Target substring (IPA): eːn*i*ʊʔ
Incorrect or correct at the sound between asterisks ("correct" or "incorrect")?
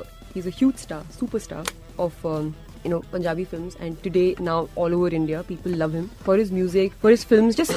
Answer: incorrect